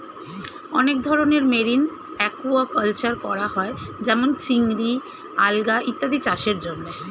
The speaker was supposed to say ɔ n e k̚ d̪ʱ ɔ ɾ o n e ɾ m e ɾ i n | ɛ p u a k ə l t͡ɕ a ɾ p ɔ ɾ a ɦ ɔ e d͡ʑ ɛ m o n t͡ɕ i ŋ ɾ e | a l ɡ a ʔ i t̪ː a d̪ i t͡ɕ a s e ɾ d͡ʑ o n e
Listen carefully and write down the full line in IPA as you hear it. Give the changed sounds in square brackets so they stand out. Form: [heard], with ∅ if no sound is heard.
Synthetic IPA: ɔ n e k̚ d̪ʱ ɔ ɾ o n e ɾ m e ɾ i n | ɛ [k] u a k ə l t͡ɕ a ɾ [k] ɔ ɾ a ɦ ɔ e d͡ʑ ɛ m o n t͡ɕ i ŋ ɾ [i] | a l ɡ a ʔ i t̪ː a d̪ i t͡ɕ a [ʃ] e ɾ d͡ʑ o [nː] e